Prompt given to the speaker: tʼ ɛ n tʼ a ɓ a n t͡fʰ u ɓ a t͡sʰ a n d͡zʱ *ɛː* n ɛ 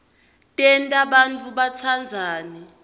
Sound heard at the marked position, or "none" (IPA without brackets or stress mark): aː